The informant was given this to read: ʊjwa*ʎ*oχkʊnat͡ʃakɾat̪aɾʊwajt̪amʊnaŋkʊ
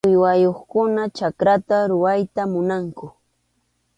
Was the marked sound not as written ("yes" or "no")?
yes